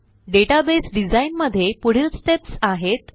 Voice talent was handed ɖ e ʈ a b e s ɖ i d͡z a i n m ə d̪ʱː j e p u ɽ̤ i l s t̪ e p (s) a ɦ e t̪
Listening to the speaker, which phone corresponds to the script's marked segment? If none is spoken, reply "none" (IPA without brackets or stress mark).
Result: s